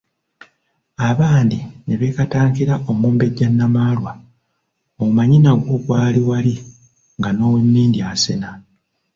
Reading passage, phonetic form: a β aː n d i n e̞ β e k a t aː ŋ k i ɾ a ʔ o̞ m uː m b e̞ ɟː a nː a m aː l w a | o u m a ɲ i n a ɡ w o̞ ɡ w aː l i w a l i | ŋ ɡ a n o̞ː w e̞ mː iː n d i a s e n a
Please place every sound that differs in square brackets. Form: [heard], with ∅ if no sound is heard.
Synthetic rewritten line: a β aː n d i n e̞ β e k a t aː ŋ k i ɾ a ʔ o̞ m uː m b e̞ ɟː a nː a m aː l w a | o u m a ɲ i n a ɡ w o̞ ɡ w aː l i w a l i | ŋ ɡ a n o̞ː w e̞ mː iː n d i a s e n a